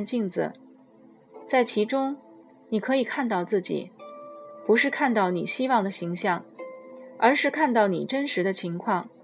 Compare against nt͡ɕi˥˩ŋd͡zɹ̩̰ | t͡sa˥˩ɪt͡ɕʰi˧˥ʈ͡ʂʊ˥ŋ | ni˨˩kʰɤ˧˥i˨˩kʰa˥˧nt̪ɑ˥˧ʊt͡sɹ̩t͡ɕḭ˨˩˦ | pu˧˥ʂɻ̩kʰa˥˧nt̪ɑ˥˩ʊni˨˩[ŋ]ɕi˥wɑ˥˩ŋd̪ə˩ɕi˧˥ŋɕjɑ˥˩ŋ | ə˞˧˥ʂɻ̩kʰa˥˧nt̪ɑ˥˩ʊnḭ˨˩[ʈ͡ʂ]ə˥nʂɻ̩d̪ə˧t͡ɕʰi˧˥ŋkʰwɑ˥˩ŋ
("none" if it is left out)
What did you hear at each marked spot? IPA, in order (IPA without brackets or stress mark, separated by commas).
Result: none, ʈ͡ʂ